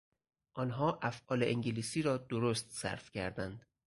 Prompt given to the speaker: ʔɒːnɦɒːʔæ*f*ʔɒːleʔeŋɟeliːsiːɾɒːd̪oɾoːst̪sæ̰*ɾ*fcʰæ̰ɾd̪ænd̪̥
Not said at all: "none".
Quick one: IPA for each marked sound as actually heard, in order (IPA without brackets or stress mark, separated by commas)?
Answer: f, ɾ